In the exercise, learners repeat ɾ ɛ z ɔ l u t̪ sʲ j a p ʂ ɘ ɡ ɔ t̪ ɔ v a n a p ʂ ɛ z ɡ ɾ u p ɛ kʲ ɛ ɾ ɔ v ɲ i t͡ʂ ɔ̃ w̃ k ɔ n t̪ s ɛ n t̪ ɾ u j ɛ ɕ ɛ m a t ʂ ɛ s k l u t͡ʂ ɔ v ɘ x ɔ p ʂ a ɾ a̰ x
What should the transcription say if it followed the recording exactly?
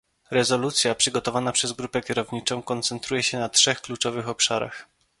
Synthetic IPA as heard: ɾ ɛ z ɔ l u t̪ sʲ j a p ʂ ɘ ɡ ɔ t̪ ɔ v a n a p ʂ ɛ z ɡ ɾ u p ɛ kʲ ɛ ɾ ɔ v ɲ i t͡ʂ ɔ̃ w̃ k ɔ n t̪ s ɛ n t̪ ɾ u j ɛ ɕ ɛ n a t ʂ ɛ x k l u t͡ʂ ɔ v ɘ x ɔ p ʂ a ɾ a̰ x